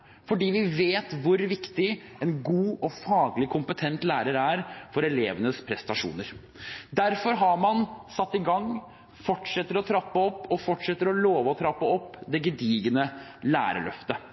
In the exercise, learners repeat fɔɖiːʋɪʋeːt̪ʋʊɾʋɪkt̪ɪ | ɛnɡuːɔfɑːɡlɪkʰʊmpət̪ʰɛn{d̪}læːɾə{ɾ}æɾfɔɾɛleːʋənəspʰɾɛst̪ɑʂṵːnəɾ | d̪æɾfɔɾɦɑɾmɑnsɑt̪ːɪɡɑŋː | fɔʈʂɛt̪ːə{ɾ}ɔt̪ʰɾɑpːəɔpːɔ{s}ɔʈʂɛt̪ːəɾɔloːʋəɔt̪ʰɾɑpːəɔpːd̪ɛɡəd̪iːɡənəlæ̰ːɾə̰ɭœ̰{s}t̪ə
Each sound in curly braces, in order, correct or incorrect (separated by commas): incorrect, correct, correct, incorrect, incorrect